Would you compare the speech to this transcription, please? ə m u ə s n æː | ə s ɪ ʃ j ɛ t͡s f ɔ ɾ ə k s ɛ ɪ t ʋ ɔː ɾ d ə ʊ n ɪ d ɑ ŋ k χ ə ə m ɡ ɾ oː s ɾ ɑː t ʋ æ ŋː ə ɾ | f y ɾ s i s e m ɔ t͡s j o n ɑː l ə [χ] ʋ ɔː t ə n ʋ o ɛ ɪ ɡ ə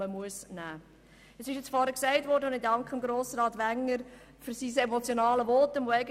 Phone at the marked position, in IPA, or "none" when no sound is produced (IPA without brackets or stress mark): none